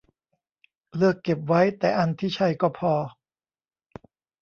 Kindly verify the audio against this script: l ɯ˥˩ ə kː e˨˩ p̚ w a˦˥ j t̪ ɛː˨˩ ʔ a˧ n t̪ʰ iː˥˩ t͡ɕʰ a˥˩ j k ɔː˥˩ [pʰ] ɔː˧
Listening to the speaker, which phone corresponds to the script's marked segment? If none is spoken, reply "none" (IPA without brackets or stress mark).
pʰ